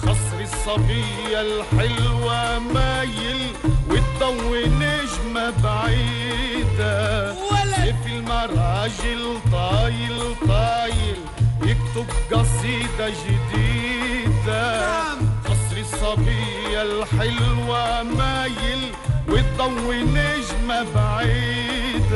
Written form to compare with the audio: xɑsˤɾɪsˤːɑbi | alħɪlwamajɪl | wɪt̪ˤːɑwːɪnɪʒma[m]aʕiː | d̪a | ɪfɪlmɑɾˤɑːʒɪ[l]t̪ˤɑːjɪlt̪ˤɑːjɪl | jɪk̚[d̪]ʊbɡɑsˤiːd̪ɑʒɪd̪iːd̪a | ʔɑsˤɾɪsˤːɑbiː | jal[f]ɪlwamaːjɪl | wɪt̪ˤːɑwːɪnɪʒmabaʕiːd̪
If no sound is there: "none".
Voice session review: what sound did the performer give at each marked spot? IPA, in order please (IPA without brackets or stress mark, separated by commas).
b, l, t̪, ħ